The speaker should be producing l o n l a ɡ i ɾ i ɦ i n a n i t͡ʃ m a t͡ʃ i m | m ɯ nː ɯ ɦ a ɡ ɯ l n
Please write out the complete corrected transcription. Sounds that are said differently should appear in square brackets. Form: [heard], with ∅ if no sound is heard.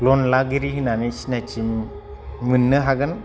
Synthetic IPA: l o n l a ɡ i ɾ i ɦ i n a n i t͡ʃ [n] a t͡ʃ i m | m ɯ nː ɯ ɦ a ɡ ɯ [∅] n